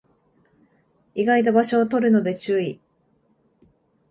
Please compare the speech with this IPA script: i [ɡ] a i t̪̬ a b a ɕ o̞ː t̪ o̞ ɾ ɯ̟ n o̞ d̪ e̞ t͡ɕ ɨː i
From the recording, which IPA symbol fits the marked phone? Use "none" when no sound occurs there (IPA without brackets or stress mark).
ɡ